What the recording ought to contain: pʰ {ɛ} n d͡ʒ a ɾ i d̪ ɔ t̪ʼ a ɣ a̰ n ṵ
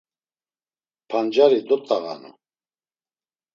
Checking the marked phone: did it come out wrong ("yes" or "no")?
yes